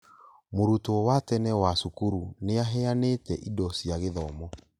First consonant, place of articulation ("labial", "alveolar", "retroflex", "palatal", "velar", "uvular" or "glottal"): labial